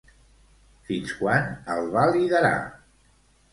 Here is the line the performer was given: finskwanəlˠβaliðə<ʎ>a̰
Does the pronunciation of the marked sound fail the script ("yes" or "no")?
yes